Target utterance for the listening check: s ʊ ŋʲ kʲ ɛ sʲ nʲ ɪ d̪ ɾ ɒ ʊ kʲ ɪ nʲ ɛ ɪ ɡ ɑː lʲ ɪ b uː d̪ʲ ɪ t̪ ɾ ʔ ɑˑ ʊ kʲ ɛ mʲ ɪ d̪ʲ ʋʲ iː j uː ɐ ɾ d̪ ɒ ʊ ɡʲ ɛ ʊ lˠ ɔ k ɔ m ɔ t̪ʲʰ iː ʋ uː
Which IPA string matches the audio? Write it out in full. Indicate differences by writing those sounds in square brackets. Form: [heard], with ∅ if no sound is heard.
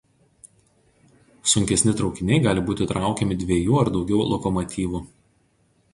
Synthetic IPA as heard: s ʊ ŋʲ kʲ ɛ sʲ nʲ ɪ [t̪] ɾ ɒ ʊ kʲ ɪ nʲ ɛ ɪ ɡ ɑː lʲ ɪ b uː [t̪ʲ] ɪ t̪ ɾ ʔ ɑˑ ʊ kʲ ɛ mʲ ɪ d̪ʲ ʋʲ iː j uː ɐ ɾ d̪ ɒ ʊ ɡʲ ɛ ʊ lˠ ɔ k ɔ m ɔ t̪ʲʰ iː ʋ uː